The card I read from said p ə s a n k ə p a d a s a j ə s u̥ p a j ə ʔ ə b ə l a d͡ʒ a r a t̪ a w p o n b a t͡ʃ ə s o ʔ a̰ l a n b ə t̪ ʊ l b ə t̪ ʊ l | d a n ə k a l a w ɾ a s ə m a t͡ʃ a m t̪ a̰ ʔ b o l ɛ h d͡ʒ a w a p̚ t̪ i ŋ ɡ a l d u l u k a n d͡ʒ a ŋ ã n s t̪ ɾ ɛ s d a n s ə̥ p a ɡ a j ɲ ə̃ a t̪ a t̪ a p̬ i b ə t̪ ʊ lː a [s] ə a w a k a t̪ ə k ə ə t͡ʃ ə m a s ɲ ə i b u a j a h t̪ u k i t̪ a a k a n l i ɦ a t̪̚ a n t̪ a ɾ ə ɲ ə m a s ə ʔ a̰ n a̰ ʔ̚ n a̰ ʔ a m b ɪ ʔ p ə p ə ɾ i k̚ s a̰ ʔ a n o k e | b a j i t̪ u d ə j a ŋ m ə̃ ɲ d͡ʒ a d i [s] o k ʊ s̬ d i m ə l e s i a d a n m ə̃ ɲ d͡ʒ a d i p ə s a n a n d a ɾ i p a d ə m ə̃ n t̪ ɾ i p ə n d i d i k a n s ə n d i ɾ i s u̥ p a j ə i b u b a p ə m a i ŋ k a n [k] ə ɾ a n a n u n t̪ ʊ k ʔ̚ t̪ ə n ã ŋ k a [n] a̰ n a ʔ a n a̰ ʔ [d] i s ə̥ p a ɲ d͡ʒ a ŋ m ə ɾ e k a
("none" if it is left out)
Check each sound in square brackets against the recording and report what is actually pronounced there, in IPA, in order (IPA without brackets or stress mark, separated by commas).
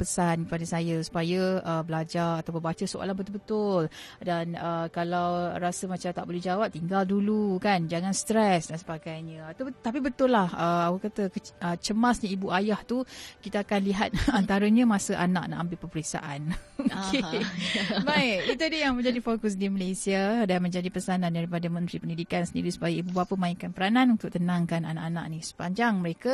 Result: h, f, p, n, n